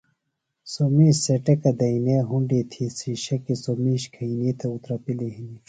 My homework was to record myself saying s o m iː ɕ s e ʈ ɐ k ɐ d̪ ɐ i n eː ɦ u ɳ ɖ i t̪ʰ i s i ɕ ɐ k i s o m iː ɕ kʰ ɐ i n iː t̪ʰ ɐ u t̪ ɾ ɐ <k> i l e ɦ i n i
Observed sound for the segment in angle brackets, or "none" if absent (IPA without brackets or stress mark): p